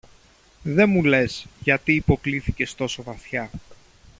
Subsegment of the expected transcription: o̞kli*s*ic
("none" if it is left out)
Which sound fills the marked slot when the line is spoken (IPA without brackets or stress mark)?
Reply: θ